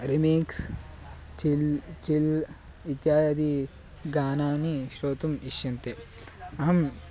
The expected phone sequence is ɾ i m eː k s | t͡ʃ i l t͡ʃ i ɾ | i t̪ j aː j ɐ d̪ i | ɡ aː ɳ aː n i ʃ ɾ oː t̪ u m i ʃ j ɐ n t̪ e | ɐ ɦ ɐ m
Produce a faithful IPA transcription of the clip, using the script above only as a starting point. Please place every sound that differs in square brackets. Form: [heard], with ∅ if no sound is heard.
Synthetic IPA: ɾ i m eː k s | t͡ʃ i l t͡ʃ i [l] | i t̪ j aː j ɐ d̪ i | ɡ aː [n] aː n i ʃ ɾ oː t̪ u m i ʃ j ɐ n t̪ e | ɐ ɦ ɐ m